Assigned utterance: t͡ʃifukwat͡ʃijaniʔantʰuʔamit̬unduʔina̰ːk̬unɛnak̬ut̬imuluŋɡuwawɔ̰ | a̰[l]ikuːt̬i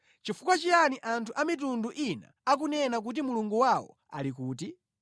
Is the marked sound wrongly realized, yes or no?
no